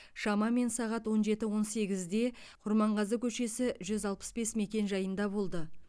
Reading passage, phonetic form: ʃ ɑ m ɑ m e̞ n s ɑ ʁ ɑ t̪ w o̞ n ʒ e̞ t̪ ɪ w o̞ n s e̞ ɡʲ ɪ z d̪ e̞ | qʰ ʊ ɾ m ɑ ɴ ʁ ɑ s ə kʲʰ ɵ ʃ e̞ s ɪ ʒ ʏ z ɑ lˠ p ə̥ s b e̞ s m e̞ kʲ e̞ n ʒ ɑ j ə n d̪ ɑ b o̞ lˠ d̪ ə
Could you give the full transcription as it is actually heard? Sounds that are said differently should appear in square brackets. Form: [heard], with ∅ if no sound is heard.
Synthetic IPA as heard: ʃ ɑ m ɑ m e̞ n s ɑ ʁ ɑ t̪ w o̞ n ʒ e̞ t̪ ɪ w o̞ n s e̞ ɡʲ ɪ z d̪ e̞ | qʰ ʊ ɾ m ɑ ɴ ʁ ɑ [z] ə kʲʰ ɵ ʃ e̞ s ɪ ʒ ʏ z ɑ lˠ p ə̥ s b e̞ s m e̞ kʲ e̞ n ʒ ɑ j ə n d̪ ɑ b o̞ lˠ d̪ ə